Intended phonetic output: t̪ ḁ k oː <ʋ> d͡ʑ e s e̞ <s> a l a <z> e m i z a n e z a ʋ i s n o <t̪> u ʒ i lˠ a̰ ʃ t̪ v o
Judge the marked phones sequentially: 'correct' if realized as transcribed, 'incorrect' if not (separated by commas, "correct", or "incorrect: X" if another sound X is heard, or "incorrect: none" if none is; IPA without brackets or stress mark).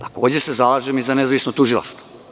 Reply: incorrect: none, incorrect: z, incorrect: ʒ, correct